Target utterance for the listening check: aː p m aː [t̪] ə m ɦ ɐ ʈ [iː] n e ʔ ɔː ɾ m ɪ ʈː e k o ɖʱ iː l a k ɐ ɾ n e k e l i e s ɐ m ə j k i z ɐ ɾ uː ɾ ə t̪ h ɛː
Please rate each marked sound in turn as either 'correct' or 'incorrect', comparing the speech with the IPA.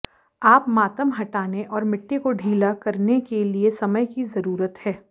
correct, incorrect

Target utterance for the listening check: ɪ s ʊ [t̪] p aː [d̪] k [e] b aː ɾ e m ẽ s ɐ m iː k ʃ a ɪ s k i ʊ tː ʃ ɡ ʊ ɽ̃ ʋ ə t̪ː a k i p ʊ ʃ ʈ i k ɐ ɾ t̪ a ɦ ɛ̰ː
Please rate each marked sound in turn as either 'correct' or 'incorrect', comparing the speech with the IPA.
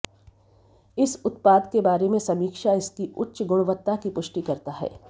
correct, correct, correct

